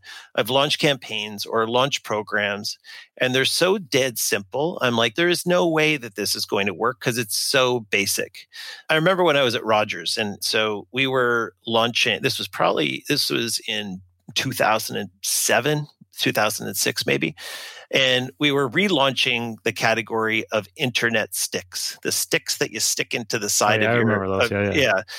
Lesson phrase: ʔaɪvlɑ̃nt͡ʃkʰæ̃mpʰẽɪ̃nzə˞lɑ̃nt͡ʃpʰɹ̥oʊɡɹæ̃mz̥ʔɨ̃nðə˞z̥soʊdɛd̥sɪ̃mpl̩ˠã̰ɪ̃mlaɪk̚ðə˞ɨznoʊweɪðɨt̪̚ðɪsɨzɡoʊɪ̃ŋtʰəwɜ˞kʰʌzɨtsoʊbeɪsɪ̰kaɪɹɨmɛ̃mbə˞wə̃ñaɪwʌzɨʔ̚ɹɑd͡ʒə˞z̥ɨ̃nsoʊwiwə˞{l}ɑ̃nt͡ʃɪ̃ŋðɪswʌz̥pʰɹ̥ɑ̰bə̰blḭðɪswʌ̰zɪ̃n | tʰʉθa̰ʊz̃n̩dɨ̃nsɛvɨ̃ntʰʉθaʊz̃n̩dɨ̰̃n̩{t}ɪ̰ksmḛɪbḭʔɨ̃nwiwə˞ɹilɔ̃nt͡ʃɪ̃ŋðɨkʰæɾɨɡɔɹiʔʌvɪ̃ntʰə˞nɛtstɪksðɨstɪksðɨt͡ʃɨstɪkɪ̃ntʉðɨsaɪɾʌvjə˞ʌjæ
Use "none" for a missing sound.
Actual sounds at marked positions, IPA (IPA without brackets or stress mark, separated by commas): l, s